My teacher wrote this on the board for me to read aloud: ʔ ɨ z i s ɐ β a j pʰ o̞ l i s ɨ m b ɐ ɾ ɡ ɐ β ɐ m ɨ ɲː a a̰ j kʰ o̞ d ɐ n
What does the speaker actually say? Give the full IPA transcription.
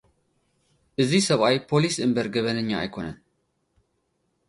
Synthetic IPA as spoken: ʔ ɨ z i s ɐ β a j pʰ o̞ l i s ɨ m b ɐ ɾ ɡ ɐ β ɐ n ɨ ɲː a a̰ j kʰ o̞ n ɐ n

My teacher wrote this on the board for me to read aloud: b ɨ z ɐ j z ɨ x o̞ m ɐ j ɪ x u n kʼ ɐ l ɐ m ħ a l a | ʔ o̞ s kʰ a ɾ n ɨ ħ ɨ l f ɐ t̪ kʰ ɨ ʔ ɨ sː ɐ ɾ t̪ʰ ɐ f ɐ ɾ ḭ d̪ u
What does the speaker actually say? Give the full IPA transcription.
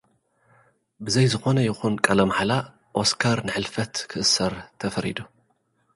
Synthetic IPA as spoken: b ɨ z ɐ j z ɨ x o̞ n ɐ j ɪ x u n kʼ ɐ l ɐ m ħ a l a | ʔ o̞ s kʰ a ɾ n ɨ ħ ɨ l f ɐ t̪ kʰ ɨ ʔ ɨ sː ɐ ɾ t̪ʰ ɐ f ɐ ɾ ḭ d̪ u

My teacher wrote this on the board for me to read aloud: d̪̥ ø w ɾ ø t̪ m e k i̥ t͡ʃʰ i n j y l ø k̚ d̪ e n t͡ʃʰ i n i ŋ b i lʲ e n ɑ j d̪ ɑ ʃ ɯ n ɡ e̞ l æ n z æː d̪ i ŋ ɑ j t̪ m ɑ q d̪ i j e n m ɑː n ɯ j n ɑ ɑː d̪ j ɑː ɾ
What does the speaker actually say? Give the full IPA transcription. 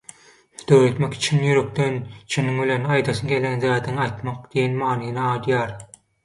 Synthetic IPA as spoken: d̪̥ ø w ɾ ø t̪ m e k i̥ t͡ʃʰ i n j y ɾ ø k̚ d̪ e n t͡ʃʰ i n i ŋ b i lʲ e n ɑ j d̪ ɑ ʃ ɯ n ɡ e̞ l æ n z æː d̪ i ŋ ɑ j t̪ m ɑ q d̪ i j e n m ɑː n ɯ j n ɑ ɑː d̪ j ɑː ɾ

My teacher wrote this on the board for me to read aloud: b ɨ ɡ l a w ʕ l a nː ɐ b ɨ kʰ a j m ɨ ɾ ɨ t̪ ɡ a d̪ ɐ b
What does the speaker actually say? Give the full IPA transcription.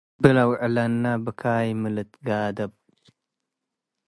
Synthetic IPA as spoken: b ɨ l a w ʕ l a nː a b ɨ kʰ a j m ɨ l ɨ t̪ ɡ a d̪ ɐ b

